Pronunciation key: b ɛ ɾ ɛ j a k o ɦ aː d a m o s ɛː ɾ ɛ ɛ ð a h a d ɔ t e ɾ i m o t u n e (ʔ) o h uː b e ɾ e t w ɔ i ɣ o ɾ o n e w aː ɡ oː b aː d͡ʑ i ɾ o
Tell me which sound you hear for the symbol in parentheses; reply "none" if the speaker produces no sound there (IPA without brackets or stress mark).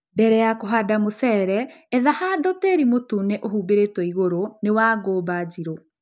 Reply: ʔ